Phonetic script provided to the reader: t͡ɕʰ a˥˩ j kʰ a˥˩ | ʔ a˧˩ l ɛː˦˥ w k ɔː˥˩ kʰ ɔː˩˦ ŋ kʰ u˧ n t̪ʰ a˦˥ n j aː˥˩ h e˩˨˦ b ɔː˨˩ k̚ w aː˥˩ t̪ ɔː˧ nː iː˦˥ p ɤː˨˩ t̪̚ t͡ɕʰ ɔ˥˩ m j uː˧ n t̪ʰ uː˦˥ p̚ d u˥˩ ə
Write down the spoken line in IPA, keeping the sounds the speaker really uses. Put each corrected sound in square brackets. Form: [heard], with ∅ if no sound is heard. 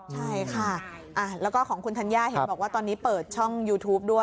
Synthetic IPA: t͡ɕʰ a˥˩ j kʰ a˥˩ | ʔ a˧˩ l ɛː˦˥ w k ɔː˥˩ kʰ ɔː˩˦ ŋ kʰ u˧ n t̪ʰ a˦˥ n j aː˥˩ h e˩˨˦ b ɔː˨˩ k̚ w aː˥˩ t̪ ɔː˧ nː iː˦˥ p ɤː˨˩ t̪̚ t͡ɕʰ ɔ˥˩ [ŋ] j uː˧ [∅] t̪ʰ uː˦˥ p̚ d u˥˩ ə